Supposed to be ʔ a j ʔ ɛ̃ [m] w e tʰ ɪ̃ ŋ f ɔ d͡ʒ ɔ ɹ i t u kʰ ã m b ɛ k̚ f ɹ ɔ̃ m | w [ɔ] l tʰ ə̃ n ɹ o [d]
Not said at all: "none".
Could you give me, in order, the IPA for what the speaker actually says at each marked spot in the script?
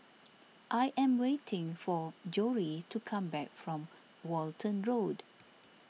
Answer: m, ɔ, d

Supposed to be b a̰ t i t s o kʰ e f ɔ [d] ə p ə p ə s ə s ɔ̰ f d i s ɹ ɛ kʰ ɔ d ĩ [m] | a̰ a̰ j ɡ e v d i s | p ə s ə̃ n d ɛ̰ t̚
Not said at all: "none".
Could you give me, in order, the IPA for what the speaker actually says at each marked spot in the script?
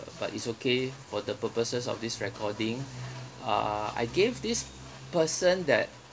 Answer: d, ŋ

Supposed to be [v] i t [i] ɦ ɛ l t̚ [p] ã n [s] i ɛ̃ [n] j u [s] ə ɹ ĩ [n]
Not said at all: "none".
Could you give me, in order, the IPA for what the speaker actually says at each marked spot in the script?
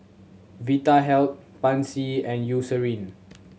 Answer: v, a, p, s, n, s, n

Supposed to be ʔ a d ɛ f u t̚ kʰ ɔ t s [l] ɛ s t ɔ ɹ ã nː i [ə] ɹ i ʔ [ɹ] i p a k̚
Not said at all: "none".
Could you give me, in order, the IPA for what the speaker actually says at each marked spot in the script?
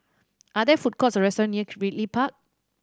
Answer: ɹ, ə, l

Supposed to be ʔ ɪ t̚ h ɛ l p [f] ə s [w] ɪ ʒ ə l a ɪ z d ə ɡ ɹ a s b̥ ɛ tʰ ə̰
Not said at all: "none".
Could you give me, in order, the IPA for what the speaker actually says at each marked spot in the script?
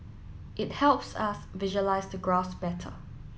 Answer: s, v

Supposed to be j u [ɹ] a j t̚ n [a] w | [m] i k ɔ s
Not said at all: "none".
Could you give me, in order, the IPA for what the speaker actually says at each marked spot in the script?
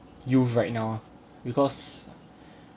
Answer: ɹ, a, b

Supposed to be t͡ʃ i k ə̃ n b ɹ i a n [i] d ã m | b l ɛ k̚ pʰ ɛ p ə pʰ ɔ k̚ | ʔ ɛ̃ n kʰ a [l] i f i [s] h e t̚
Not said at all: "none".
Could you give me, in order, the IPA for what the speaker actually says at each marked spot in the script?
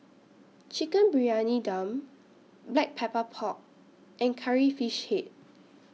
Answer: i, ɹ, ʃ

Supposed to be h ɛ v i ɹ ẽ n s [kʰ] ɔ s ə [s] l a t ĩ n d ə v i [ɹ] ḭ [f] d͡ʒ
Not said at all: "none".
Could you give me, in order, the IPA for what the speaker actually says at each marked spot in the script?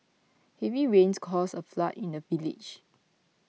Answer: kʰ, f, l, none

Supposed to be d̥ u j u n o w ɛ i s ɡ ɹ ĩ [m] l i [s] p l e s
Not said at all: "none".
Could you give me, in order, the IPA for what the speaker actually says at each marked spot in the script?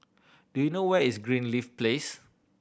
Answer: n, f

